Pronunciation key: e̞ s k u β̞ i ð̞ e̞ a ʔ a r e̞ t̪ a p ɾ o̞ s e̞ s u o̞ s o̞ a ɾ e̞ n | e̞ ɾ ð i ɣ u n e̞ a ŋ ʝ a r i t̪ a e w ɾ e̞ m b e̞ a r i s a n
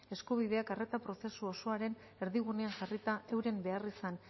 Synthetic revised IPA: e̞ s k u β̞ i ð̞ e̞ a k a r e̞ t̪ a p ɾ o̞ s e̞ s u o̞ s o̞ a ɾ e̞ n | e̞ ɾ ð i ɣ u n e̞ a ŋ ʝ a r i t̪ a e w ɾ e̞ m b e̞ a r i s a n